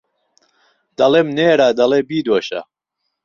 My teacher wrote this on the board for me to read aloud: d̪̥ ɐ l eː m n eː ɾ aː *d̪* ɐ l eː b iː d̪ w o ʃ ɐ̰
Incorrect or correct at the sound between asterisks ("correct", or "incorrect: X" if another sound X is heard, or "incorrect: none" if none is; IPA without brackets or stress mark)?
correct